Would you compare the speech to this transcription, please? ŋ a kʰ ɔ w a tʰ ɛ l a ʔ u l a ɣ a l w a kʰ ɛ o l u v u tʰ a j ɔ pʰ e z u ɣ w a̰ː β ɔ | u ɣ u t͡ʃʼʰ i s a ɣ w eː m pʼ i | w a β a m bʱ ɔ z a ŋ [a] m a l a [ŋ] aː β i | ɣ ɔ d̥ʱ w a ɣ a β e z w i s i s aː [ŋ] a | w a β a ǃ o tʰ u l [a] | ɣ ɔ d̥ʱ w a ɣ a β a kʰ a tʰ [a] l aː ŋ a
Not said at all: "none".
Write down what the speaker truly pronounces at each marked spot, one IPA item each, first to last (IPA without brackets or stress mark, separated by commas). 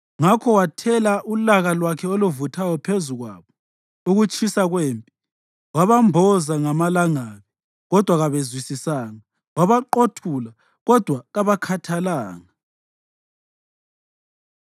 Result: a, ŋ, ŋ, a, a